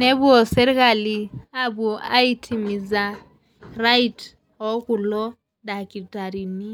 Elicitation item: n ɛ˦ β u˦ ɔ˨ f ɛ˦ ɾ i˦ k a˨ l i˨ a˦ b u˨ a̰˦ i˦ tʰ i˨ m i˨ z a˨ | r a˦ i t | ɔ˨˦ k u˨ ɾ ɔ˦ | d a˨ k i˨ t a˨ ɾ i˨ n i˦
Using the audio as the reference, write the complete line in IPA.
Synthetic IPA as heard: n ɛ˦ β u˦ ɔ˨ s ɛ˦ ɾ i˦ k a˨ l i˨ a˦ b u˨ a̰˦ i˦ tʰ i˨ m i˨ z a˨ | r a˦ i t | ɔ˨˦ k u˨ l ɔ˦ | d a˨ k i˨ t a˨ ɾ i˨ n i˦